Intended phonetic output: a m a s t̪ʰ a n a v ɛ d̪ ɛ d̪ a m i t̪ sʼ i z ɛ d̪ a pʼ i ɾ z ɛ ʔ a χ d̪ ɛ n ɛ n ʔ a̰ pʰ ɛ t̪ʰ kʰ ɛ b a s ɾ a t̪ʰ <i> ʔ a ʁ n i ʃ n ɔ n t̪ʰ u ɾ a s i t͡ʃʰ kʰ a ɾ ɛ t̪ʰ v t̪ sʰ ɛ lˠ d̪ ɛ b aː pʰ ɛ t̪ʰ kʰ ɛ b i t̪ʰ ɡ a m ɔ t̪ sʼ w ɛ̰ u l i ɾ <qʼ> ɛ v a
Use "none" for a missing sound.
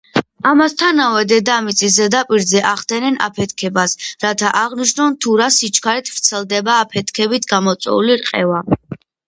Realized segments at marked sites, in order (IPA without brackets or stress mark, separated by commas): a, qʼ